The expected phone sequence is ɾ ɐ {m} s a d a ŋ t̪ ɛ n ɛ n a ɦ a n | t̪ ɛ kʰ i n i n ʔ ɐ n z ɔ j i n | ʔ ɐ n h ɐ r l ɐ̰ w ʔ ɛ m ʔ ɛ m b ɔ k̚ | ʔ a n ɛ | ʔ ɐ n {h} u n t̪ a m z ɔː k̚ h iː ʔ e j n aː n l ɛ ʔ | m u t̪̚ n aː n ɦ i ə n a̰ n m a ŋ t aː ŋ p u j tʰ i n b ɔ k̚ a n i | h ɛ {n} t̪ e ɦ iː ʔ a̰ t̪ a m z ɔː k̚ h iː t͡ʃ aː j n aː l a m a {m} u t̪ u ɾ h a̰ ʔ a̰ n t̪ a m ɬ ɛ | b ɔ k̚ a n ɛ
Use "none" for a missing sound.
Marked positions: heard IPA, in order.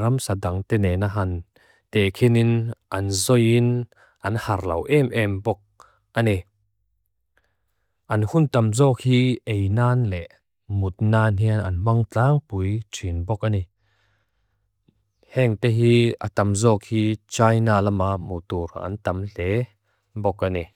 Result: m, h, ŋ, m

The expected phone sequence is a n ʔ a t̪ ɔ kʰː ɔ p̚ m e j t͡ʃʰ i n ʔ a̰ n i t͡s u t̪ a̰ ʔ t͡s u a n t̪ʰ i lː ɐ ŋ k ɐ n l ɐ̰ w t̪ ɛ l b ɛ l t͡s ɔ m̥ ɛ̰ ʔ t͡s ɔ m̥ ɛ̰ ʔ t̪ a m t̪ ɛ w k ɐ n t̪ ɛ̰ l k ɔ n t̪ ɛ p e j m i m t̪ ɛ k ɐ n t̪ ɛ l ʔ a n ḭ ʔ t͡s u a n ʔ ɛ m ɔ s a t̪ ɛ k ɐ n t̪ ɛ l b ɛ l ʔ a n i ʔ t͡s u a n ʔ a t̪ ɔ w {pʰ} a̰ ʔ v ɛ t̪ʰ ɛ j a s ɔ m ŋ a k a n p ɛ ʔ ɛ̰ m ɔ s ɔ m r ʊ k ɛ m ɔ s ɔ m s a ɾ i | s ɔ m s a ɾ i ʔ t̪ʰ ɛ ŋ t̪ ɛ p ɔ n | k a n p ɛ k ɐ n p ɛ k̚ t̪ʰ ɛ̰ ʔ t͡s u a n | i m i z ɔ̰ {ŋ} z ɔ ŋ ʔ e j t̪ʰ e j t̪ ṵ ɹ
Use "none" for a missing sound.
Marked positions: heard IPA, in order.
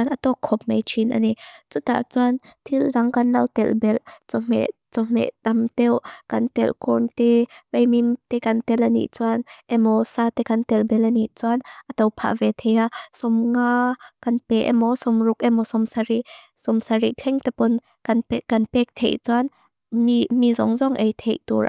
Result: pʰ, ŋ

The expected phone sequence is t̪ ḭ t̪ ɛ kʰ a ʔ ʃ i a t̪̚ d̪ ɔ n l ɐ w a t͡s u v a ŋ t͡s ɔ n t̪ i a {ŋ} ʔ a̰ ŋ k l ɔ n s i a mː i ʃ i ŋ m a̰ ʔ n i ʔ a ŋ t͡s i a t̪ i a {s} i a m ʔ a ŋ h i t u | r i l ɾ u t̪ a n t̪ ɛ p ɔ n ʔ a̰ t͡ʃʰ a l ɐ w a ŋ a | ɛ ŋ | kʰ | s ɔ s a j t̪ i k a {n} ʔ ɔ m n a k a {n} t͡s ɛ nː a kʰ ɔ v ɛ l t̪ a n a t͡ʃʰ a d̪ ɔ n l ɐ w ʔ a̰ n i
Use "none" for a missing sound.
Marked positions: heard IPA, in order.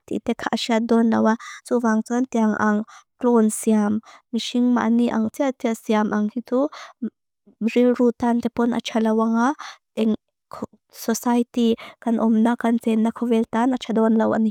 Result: ŋ, s, n, n

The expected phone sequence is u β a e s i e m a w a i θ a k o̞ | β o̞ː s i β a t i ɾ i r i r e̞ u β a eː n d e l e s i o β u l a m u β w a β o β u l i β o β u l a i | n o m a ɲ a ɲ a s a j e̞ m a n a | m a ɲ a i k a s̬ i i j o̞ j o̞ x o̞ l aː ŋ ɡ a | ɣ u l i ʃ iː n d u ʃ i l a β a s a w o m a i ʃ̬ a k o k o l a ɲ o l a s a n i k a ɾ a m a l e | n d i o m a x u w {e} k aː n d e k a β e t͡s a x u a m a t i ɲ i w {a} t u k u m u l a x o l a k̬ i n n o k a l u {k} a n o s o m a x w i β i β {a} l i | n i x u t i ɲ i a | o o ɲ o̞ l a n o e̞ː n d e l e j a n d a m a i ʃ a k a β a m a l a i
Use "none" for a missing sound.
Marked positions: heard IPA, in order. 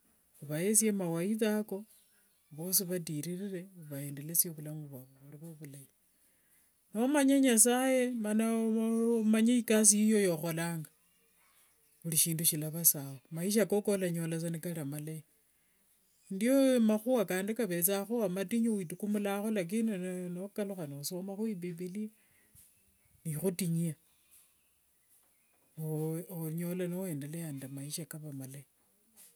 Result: a, i, x, i

